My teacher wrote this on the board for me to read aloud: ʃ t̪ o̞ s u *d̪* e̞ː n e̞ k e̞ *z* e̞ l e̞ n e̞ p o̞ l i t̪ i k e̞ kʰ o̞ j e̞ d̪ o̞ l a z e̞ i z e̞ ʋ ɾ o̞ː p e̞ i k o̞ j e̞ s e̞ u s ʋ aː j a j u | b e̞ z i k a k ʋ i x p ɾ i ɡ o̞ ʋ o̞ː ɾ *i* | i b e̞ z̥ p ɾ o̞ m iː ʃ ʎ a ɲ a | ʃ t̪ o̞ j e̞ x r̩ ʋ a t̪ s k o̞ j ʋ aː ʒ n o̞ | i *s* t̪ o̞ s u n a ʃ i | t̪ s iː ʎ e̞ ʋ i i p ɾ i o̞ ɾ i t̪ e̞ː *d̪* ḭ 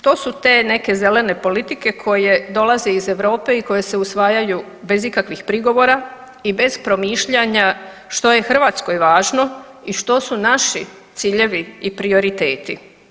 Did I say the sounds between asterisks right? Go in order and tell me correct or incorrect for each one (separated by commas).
incorrect, correct, incorrect, incorrect, incorrect